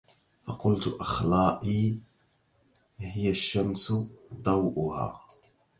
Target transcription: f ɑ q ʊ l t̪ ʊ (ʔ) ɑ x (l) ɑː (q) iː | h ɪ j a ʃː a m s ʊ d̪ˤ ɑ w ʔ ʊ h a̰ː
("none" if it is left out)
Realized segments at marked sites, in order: ʔ, l, ʔ

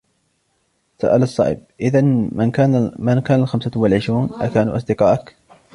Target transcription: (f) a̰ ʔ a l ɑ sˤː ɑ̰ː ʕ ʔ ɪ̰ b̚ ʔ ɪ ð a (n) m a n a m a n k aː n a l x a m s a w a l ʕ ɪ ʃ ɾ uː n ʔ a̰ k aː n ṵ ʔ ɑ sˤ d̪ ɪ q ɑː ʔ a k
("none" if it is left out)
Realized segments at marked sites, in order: s, n

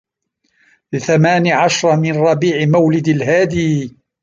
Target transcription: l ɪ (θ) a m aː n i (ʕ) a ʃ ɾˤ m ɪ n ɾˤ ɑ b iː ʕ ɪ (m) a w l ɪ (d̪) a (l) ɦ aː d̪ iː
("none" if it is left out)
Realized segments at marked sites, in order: θ, ʕ, m, d̪, l

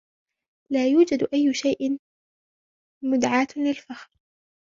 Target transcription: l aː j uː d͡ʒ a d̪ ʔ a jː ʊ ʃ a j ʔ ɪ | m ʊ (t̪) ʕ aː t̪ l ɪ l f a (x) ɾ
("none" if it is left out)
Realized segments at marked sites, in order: d̪, x

